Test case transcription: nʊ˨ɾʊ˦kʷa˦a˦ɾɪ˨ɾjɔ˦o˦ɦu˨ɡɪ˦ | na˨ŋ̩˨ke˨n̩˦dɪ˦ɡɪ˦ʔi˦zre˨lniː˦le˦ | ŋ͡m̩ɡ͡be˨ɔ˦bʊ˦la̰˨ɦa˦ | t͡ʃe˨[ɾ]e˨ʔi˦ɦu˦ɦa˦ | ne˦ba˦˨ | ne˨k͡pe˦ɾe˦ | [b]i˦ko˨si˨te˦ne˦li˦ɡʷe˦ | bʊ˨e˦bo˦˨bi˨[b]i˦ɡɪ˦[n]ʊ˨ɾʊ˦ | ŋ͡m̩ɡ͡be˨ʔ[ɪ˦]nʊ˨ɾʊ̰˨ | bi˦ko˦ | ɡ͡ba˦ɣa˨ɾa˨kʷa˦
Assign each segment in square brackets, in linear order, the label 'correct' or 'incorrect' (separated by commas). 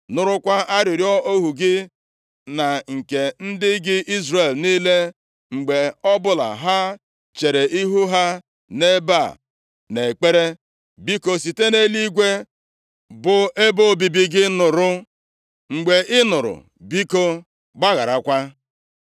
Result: correct, correct, correct, correct, correct